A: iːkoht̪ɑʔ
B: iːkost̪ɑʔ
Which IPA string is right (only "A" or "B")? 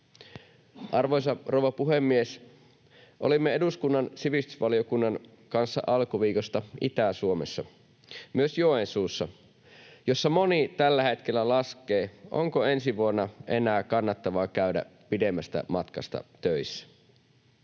B